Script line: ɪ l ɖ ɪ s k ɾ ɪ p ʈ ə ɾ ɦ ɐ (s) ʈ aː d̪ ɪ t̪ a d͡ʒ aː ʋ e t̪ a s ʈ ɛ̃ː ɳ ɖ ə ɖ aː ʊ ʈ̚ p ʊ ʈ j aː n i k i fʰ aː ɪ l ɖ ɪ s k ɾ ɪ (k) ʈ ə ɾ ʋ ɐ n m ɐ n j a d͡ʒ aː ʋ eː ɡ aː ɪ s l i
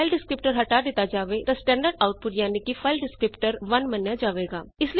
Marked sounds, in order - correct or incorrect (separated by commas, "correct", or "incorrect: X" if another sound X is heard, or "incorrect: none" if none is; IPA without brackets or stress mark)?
incorrect: none, incorrect: p